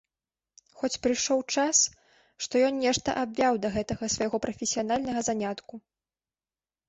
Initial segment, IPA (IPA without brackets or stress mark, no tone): x